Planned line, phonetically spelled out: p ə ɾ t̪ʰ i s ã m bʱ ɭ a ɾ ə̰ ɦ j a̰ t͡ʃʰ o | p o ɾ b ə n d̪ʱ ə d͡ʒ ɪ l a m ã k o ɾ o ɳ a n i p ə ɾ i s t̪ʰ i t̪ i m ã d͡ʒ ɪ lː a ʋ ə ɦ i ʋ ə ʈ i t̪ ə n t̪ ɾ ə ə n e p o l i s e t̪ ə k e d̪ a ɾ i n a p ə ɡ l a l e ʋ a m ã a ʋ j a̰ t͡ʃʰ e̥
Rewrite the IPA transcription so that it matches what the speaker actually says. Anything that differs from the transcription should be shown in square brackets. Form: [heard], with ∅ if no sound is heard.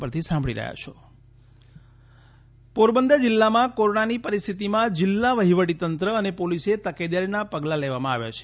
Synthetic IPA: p ə ɾ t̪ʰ i s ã m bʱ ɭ [i] ɾ ə̰ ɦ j a̰ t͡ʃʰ o | p o ɾ b ə n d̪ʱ ə d͡ʒ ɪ [lː] a m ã k o ɾ o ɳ a n i p ə ɾ i s t̪ʰ i t̪ i m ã d͡ʒ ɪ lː a ʋ ə ɦ i ʋ ə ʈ i t̪ ə n t̪ ɾ ə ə n e p o l i s e t̪ ə k e d̪ a ɾ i n a p ə ɡ l a l e ʋ a m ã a ʋ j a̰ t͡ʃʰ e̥